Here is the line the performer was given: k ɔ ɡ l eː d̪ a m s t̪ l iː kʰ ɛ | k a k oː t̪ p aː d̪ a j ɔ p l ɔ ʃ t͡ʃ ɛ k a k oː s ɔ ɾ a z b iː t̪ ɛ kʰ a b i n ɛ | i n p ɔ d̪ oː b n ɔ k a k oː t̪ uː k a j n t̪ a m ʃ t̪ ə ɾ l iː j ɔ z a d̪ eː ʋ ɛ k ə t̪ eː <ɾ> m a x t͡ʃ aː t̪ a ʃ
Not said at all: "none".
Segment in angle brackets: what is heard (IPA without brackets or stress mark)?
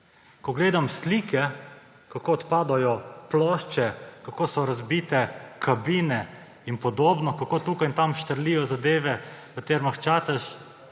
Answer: ɾ